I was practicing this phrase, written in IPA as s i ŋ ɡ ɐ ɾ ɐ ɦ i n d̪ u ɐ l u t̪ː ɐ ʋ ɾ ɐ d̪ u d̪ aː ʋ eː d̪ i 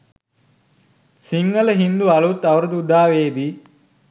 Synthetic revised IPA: s i ŋ ɡ ɐ l ɐ ɦ i n d̪ u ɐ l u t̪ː ɐ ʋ ɾ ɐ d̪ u d̪ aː ʋ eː d̪ i